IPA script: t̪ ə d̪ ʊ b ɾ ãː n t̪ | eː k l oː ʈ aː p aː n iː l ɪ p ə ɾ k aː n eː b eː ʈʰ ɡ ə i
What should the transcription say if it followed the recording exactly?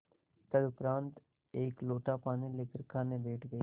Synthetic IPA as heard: t̪ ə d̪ ʊ p ɾ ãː n t̪ | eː k l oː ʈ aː p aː n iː l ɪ k ə ɾ kʰ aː n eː b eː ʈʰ ɡ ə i